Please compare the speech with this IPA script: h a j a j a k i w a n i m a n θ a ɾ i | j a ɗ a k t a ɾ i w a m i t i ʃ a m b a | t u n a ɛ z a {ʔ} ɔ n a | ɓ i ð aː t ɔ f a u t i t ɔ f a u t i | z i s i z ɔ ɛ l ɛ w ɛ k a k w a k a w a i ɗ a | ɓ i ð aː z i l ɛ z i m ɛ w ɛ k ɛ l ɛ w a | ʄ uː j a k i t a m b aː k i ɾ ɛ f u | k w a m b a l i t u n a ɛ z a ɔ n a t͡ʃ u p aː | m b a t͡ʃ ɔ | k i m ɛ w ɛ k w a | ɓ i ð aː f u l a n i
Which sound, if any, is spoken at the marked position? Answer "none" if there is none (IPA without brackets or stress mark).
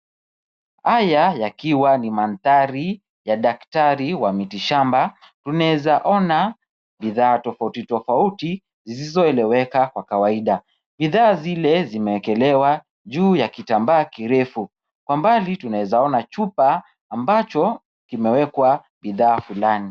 ʔ